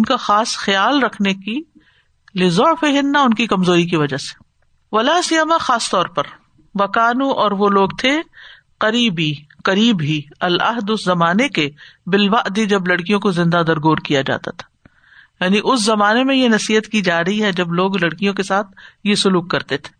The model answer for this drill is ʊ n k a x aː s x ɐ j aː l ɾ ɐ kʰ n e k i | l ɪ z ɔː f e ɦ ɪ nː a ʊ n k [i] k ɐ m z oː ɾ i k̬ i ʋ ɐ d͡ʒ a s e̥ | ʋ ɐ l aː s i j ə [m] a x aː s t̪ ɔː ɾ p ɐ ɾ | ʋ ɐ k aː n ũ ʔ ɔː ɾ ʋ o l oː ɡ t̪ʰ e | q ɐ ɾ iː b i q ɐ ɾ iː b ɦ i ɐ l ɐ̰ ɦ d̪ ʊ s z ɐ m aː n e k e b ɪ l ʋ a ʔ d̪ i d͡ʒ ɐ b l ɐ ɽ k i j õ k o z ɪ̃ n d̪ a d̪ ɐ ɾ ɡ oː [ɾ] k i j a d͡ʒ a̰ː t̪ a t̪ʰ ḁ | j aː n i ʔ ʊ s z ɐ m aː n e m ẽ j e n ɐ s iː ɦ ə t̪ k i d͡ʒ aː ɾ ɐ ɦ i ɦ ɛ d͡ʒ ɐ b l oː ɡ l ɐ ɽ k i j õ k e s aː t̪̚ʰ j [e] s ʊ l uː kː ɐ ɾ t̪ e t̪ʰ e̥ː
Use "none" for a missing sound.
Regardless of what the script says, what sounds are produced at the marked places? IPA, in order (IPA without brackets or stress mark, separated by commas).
i, m, ɾ, e